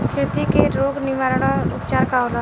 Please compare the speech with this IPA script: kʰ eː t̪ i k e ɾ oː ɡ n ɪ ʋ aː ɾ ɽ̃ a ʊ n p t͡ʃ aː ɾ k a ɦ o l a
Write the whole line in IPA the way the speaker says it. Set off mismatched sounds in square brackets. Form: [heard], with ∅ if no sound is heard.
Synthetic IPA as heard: kʰ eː t̪ i k e ɾ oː ɡ n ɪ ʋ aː ɾ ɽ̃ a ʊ [∅] p t͡ʃ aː ɾ k a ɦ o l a